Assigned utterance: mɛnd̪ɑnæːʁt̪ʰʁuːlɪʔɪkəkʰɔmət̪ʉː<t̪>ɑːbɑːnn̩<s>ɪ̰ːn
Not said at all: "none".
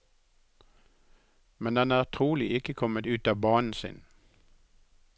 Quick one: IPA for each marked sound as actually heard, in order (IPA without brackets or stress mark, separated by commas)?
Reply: t̪, s